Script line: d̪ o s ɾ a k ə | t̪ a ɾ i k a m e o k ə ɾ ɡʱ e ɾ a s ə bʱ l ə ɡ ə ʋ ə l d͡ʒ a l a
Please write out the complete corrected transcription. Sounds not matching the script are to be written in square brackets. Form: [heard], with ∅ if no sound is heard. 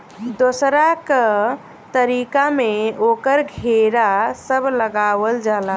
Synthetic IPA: d̪ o s ɾ a k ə | t̪ [ə] ɾ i k a m e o k ə ɾ ɡʱ e ɾ a s ə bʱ l ə ɡ [a] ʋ ə l d͡ʒ a l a